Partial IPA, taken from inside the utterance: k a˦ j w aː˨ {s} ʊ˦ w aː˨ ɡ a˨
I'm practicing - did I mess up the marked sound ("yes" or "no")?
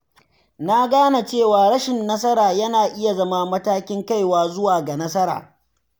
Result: yes